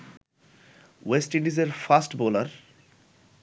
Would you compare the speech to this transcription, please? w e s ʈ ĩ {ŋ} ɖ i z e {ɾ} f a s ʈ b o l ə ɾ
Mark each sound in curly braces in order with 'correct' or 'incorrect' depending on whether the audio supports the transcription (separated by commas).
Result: incorrect, correct